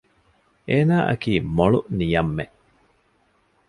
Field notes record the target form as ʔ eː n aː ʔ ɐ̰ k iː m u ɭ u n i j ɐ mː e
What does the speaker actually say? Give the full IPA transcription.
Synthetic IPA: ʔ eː n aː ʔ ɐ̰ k iː m o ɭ u n i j ɐ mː e